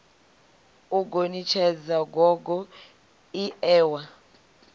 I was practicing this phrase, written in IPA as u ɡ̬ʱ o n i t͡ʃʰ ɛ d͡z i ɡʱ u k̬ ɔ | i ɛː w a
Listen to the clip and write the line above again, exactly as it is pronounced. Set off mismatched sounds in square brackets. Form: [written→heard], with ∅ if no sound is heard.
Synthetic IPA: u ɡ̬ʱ o n i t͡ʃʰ ɛ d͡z [i→a] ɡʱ [u→ɔ] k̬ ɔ | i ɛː w a